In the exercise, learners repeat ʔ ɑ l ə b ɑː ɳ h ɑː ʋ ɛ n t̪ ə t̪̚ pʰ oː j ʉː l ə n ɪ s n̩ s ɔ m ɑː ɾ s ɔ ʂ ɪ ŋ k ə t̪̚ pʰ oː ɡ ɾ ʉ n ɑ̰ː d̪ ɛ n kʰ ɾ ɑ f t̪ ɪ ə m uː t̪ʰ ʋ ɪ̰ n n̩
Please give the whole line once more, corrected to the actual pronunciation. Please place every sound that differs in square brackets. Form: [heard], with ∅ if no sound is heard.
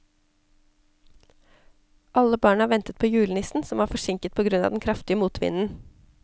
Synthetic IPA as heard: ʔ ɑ l ə b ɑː ɳ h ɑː ʋ ɛ n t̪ ə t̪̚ pʰ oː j ʉː l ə n ɪ s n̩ s ɔ m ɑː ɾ [f] ɔ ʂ ɪ ŋ k ə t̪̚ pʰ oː ɡ ɾ ʉ n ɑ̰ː d̪ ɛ n kʰ ɾ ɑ f t̪ ɪ ə m uː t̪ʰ ʋ ɪ̰ n n̩